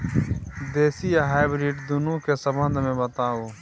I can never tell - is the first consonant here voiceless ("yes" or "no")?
no